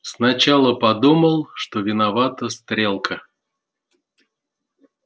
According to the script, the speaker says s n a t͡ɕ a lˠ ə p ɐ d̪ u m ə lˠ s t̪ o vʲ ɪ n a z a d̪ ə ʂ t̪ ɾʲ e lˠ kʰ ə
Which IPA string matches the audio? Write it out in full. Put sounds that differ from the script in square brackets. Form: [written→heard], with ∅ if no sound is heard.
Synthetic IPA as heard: s n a t͡ɕ a lˠ ə p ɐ d̪ u m ə lˠ [s→ʂ] t̪ o vʲ ɪ n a [z→v] a [d̪→t̪] ə [ʂ→s] t̪ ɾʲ e lˠ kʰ ə